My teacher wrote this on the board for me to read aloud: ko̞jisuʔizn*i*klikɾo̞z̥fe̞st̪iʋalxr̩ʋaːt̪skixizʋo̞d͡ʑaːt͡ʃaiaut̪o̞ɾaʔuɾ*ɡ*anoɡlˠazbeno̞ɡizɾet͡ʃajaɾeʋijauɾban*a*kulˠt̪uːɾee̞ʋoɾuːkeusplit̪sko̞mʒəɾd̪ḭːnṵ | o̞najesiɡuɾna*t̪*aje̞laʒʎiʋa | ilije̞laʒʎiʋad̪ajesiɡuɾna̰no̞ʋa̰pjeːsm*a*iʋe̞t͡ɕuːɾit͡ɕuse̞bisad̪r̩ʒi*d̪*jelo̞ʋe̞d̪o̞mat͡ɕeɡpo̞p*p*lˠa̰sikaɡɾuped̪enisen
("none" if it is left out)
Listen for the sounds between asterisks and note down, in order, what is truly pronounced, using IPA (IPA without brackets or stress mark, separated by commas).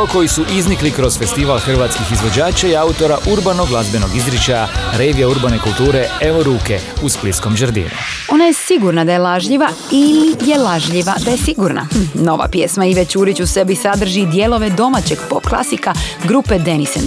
i, b, e, d̪, a, d̪, k